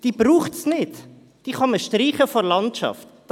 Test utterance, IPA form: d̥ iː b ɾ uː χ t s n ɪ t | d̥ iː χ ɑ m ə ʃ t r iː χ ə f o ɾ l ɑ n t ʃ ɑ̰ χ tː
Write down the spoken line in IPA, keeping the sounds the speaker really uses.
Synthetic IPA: d̥ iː b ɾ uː χ t s n ɪ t | d̥ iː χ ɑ m ə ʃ t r iː χ ə f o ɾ l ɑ n t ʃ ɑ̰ f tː